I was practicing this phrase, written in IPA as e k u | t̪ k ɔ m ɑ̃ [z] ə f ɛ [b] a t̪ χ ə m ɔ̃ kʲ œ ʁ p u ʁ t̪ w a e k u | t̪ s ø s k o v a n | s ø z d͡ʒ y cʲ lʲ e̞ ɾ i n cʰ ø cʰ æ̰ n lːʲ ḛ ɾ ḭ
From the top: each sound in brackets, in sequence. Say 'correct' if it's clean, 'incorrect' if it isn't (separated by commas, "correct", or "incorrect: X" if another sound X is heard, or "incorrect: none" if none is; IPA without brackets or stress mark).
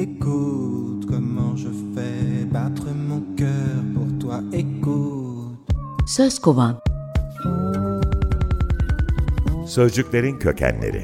incorrect: ʒ, correct